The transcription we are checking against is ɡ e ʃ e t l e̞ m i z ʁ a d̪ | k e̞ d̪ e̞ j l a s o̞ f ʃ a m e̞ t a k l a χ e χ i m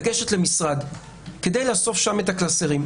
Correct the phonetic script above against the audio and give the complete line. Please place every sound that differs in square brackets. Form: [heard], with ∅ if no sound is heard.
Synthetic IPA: ɡ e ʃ e t l e̞ m i [s] ʁ a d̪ | k e̞ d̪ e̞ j l a s o̞ f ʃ a m e̞ t a k l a [s] e [ʁ] i m